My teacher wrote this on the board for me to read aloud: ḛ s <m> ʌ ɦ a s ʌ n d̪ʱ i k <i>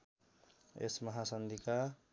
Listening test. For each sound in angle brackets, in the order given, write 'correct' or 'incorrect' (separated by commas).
correct, incorrect